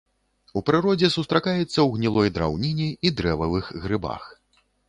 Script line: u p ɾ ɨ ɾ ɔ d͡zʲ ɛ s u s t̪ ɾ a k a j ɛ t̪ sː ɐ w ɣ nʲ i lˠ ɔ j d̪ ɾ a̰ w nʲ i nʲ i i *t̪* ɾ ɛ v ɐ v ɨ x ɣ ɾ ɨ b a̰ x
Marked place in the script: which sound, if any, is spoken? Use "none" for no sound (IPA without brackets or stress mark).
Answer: d̪